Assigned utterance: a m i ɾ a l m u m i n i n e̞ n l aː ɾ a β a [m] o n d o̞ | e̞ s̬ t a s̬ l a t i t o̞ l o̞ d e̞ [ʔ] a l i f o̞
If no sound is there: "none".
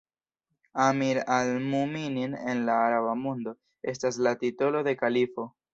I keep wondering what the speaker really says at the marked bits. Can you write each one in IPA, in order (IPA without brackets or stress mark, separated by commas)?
m, k